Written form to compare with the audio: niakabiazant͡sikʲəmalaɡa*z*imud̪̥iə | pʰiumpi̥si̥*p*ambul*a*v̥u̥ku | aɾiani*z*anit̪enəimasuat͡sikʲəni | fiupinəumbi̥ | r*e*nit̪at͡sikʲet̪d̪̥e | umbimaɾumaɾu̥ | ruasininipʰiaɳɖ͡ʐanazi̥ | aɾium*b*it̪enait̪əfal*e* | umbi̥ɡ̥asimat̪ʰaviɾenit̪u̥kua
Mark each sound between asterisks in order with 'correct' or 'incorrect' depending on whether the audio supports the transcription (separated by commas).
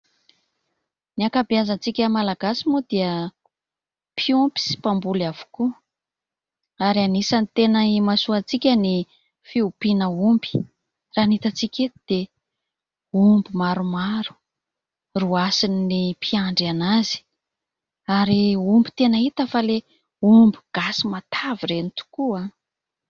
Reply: incorrect, correct, correct, incorrect, incorrect, correct, correct